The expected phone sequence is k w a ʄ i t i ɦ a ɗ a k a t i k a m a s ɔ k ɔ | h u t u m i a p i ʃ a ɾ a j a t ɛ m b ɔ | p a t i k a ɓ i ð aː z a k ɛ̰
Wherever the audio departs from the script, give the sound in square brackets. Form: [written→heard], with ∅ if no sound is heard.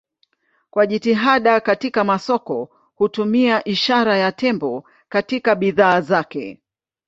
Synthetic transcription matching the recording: k w a ʄ i t i ɦ a ɗ a k a t i k a m a s ɔ k ɔ | h u t u m i a [p→ʔ] i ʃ a ɾ a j a t ɛ m b ɔ | [p→k] a t i k a ɓ i ð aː z a k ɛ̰